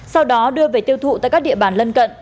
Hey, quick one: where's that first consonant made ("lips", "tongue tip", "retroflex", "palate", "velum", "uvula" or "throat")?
tongue tip